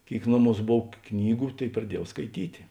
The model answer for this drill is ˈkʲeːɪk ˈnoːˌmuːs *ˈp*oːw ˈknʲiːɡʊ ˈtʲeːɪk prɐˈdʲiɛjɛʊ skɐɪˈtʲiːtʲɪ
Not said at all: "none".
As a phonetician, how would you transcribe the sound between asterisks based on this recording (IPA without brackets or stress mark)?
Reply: b